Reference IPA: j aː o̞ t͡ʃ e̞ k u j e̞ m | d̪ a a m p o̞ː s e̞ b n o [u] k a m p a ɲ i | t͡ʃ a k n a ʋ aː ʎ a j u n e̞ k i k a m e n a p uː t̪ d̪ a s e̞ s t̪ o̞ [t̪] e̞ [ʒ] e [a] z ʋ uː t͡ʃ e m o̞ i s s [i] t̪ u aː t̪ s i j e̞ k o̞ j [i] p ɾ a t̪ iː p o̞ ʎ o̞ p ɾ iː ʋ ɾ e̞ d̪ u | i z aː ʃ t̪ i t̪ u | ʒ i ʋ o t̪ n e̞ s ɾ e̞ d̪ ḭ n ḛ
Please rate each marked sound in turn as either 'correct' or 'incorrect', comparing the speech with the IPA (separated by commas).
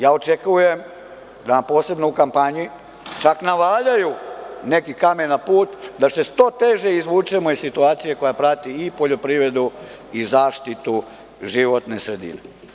correct, correct, correct, incorrect, correct, incorrect